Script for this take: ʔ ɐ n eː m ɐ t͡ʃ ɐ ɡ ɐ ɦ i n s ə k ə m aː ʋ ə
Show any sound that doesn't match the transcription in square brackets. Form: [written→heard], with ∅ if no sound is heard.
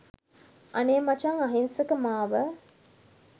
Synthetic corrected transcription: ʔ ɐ n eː m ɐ t͡ʃ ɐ [ɡ→ŋ] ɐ ɦ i n s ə k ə m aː ʋ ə